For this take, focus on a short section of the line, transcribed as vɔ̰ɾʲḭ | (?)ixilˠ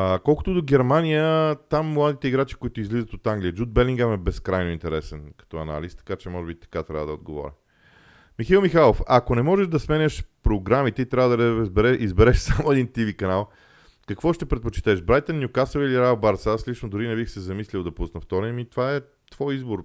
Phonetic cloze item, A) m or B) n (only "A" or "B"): A